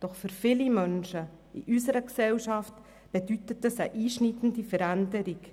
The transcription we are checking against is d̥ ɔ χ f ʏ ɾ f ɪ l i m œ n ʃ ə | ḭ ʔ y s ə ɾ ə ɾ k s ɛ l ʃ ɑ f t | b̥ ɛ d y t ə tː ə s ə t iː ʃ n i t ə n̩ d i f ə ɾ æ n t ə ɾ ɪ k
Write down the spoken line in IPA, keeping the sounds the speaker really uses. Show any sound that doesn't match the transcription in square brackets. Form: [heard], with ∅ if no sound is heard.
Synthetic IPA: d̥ ɔ χ f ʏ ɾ f ɪ l i m œ n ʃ ə | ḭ ʔ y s ə ɾ ə [∅] k s ɛ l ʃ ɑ f t | b̥ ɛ d y t ə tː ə s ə [ʔ] iː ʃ n i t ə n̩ d i f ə ɾ æ n [d] ə ɾ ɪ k